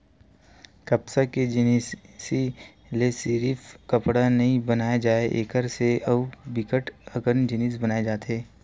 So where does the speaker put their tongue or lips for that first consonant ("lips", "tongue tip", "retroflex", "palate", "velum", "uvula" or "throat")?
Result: velum